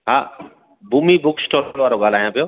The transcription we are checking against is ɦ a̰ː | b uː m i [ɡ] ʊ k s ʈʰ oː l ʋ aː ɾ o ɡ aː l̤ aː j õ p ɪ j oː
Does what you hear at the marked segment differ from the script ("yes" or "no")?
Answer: yes